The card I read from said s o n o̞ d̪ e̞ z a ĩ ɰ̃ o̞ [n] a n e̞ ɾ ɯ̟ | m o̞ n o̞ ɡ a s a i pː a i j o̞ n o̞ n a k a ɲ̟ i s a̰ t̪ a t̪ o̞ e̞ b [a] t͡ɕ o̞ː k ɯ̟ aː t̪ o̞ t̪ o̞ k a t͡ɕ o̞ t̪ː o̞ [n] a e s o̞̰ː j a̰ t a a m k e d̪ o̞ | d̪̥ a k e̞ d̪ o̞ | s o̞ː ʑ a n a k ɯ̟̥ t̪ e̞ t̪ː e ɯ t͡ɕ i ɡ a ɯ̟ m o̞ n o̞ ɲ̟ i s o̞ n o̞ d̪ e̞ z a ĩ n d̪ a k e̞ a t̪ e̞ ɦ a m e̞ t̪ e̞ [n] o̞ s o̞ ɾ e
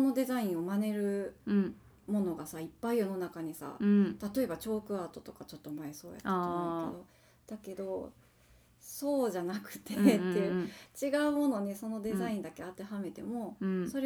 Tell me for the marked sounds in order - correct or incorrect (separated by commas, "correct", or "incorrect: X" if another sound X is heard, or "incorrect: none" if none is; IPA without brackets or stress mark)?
incorrect: m, correct, incorrect: m, incorrect: m